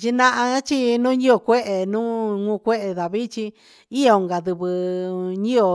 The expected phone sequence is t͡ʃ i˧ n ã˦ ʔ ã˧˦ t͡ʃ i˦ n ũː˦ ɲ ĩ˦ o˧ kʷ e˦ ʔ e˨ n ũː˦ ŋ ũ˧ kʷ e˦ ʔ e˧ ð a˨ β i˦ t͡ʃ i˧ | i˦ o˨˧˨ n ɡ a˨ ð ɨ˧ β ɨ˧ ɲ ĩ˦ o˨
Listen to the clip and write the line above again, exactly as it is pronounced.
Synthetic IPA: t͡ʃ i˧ n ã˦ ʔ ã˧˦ t͡ʃ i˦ n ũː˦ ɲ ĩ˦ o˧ kʷ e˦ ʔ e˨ n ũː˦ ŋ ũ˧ kʷ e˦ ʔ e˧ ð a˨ β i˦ t͡ʃ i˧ | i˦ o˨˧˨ ŋ ɡ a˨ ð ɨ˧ β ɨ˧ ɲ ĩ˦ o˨